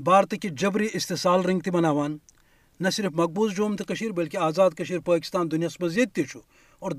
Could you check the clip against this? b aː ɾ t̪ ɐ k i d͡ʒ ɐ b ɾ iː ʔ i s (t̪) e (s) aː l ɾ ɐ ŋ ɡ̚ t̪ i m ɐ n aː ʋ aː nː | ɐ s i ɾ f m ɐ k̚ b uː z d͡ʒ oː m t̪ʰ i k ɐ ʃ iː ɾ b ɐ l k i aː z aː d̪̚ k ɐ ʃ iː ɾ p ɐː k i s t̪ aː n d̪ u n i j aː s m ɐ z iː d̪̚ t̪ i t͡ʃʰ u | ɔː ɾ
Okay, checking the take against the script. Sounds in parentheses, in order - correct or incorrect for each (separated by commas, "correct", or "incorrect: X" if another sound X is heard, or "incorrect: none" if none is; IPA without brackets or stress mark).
correct, correct